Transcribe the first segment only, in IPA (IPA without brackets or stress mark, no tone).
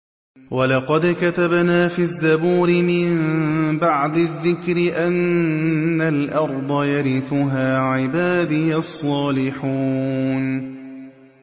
w